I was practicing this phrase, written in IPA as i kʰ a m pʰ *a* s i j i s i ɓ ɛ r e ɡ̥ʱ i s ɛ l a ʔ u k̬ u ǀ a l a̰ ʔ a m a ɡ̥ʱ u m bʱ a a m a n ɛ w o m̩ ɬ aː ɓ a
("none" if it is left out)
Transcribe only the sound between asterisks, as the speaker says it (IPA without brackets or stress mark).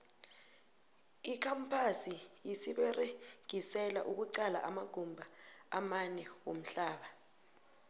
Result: a